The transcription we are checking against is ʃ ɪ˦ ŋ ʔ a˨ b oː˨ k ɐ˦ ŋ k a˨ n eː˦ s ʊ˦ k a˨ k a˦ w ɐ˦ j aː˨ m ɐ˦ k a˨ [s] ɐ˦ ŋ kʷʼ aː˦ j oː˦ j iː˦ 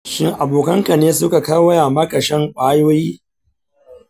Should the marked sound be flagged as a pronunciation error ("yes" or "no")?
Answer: yes